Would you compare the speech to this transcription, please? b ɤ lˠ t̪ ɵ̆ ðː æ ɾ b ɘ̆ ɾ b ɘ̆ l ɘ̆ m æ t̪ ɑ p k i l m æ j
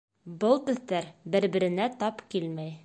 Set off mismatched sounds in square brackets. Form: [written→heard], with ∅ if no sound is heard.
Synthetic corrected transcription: b ɤ lˠ t̪ ɵ̆ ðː æ ɾ b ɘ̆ ɾ b ɘ̆ [l→ɾ] ɘ̆ [m→n] æ t̪ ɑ p k i l m æ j

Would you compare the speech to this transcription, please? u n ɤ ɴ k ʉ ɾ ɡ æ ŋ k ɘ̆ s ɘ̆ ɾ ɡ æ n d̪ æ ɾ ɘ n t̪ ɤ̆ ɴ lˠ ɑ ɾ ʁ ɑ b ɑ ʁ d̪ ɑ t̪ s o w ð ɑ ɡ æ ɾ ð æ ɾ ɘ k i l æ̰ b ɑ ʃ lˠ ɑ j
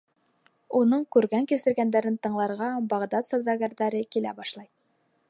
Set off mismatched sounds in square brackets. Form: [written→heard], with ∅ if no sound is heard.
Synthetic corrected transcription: u n ɤ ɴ k ʉ ɾ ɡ æ ŋ k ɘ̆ s ɘ̆ ɾ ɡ æ n d̪ æ ɾ ɘ n t̪ ɤ̆ ɴ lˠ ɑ ɾ ʁ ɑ b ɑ ʁ d̪ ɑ t̪ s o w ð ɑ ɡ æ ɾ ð æ ɾ ɘ k i l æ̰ b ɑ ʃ lˠ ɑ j

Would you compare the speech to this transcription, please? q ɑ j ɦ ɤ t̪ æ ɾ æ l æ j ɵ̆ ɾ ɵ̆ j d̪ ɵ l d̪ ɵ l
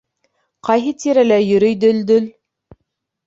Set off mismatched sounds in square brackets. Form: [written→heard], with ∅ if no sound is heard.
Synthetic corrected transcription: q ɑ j ɦ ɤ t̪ [æ→i] ɾ æ l æ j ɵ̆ ɾ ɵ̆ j d̪ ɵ l d̪ ɵ l

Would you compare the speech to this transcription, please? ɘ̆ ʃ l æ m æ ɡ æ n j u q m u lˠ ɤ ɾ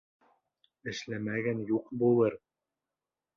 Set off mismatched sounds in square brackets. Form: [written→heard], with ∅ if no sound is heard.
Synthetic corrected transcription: ɘ̆ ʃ l æ m æ ɡ æ n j u q [m→b] u lˠ ɤ ɾ

